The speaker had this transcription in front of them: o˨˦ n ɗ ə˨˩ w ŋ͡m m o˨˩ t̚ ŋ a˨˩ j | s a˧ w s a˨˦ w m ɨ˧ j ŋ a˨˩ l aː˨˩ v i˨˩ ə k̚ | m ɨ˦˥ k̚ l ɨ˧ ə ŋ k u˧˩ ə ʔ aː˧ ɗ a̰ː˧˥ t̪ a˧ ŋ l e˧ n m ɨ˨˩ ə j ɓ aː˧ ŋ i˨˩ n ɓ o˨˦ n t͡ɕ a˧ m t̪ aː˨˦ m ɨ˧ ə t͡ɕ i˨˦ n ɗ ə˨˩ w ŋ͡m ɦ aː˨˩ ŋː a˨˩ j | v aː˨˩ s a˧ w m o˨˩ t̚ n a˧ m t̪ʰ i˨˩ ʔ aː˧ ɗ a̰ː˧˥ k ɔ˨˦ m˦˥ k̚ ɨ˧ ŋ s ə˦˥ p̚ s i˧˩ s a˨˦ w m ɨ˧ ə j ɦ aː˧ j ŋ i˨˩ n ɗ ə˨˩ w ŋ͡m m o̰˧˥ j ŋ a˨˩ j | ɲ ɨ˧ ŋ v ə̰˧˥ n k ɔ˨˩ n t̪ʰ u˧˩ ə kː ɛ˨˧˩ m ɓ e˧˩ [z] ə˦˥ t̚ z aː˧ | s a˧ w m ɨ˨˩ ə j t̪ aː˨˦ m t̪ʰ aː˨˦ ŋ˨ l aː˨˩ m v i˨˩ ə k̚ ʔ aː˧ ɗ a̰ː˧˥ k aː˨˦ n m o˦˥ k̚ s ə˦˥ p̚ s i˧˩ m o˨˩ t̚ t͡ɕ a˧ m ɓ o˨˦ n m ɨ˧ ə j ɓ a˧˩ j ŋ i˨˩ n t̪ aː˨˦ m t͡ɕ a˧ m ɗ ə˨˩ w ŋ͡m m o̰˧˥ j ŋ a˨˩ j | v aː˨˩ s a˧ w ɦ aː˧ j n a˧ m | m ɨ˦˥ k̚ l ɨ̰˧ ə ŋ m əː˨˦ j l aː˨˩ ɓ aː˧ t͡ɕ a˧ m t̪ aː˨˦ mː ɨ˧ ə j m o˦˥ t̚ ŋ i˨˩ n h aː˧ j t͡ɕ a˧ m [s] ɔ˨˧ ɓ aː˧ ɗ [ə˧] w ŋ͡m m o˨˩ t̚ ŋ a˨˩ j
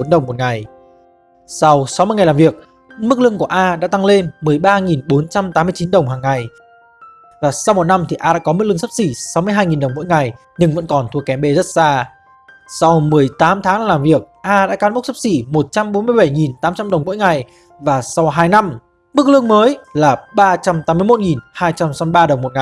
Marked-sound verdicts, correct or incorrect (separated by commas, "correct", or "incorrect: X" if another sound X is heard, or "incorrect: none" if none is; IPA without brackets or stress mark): correct, correct, incorrect: ə˨˩